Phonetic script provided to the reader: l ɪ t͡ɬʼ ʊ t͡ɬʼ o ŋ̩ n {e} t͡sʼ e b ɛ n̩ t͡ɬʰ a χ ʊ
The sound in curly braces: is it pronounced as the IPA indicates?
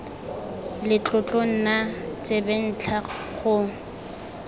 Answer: no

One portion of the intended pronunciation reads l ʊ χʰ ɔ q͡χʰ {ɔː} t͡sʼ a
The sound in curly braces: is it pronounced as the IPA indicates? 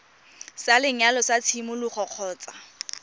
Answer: yes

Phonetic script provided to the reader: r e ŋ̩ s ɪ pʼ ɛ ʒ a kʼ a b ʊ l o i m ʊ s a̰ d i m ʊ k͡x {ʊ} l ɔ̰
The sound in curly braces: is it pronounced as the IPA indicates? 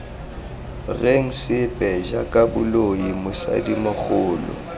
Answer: no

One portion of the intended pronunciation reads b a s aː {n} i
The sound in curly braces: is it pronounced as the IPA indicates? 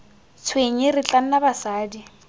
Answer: no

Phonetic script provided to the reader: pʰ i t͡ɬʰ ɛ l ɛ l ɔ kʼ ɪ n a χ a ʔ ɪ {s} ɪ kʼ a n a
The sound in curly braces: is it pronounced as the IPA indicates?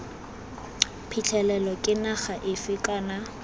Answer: no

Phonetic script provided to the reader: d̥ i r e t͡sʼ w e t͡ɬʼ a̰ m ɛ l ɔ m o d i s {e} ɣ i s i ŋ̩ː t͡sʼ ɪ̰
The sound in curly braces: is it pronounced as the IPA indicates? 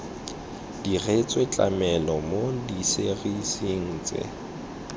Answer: yes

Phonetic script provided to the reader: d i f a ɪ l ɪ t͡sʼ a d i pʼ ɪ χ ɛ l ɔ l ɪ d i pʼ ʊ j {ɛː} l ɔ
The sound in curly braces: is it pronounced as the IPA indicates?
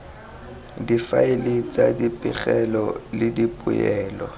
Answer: yes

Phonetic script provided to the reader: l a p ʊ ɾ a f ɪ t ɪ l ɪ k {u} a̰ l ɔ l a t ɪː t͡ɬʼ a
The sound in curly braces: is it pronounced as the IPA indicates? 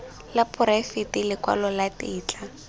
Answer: no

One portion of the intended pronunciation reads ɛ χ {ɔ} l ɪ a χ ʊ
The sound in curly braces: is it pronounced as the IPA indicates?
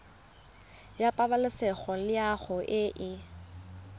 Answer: yes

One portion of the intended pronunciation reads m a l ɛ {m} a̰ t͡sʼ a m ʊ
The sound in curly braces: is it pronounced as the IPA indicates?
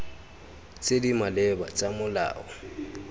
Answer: no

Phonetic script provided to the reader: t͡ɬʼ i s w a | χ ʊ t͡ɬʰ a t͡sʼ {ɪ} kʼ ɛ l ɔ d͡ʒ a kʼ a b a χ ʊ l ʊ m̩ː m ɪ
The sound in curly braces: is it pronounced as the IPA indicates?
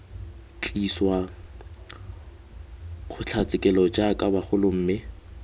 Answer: yes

